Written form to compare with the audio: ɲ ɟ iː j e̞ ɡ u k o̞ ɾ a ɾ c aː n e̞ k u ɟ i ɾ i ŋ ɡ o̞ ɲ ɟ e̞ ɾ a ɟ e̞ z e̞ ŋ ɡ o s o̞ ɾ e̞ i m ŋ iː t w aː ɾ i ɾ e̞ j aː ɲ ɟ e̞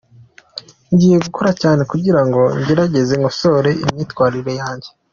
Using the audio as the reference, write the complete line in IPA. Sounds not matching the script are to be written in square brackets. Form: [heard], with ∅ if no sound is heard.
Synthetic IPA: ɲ ɟ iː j e̞ ɡ u k o̞ ɾ a [∅] c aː n e̞ k u ɟ i ɾ [a] ŋ ɡ o̞ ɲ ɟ e̞ ɾ a ɟ e̞ z e̞ ŋ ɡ o s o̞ ɾ e̞ i m [ɲ] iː t w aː ɾ i ɾ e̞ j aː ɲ ɟ e̞